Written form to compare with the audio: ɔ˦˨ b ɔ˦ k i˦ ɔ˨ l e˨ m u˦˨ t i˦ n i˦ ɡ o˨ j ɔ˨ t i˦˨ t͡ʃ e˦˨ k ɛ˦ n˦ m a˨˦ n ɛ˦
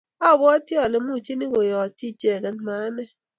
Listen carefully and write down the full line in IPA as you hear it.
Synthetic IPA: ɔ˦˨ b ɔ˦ t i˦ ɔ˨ l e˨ m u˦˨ t͡ʃ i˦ n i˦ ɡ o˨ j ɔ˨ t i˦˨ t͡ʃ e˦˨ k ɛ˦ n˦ m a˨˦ n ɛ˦